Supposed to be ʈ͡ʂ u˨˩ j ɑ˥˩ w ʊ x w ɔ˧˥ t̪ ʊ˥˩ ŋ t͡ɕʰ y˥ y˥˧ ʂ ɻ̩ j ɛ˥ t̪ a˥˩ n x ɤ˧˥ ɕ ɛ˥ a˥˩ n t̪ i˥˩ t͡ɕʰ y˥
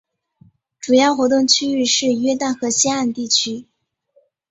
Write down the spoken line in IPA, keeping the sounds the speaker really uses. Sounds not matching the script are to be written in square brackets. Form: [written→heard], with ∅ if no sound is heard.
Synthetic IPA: ʈ͡ʂ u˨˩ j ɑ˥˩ [w→∅] ʊ x w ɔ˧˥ t̪ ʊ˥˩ ŋ t͡ɕʰ y˥ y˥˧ ʂ ɻ̩ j ɛ˥ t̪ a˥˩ n x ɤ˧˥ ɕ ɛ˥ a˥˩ n t̪ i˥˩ t͡ɕʰ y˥

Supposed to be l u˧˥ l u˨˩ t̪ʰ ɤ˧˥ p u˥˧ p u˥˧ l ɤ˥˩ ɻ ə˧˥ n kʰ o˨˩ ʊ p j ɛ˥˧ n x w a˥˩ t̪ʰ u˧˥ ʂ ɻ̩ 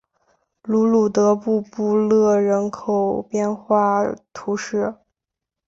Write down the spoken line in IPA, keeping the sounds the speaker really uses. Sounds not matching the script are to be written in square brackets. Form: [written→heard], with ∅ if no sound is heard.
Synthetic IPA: l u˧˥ l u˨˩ [t̪ʰ→t̪] ɤ˧˥ p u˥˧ p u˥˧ l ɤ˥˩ ɻ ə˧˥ n kʰ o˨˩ ʊ p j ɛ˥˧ n x w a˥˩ t̪ʰ u˧˥ ʂ ɻ̩

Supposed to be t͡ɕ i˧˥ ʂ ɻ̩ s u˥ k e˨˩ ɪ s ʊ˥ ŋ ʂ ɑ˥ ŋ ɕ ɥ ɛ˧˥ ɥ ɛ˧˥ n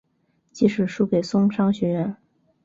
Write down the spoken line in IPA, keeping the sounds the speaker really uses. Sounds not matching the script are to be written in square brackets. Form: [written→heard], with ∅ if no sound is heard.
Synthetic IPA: t͡ɕ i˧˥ ʂ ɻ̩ [s→ʂ] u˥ k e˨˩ ɪ s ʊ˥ ŋ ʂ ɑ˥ ŋ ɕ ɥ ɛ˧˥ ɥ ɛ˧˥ n

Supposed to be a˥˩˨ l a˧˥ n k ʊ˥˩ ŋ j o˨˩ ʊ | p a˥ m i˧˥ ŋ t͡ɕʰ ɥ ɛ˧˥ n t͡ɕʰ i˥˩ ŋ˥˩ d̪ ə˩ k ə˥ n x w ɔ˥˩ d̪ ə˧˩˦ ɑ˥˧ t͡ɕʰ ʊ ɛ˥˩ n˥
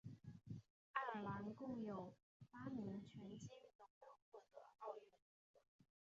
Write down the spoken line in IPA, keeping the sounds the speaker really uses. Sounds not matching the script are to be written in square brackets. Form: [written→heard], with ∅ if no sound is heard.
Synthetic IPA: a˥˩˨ l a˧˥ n k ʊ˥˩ ŋ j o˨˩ ʊ | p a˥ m i˧˥ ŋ t͡ɕʰ ɥ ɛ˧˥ n [t͡ɕʰ→t͡ɕ] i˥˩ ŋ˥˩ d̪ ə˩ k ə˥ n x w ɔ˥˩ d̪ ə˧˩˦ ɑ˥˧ [t͡ɕʰ→∅] ʊ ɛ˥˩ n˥

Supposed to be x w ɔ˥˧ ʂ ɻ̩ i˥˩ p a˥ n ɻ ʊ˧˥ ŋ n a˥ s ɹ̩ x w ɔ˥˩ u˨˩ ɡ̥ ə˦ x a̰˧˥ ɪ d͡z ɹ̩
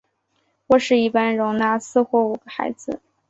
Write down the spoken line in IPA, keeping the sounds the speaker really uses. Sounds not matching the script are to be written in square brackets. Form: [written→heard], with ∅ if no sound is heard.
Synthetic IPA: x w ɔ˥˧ ʂ ɻ̩ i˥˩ p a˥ n ɻ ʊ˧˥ ŋ n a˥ s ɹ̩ x w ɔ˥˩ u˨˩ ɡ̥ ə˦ x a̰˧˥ ɪ d͡z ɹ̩

